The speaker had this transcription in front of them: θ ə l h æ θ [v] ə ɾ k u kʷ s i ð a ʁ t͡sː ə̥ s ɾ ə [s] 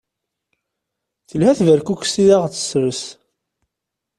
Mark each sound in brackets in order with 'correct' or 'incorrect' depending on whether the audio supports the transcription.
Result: correct, correct

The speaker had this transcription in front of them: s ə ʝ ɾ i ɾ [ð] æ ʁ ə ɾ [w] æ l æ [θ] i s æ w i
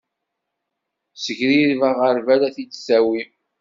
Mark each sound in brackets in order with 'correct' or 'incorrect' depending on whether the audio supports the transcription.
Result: incorrect: v, incorrect: v, correct

